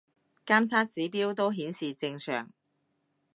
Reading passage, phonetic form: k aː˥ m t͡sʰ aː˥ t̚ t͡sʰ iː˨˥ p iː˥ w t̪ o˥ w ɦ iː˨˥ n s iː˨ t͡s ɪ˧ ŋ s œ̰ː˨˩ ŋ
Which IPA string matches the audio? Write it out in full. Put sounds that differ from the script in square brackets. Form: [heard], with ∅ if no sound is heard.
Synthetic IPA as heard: k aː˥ m t͡sʰ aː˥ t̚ [t͡s] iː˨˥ p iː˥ w t̪ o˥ w ɦ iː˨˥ n s iː˨ t͡s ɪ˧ ŋ s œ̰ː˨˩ ŋ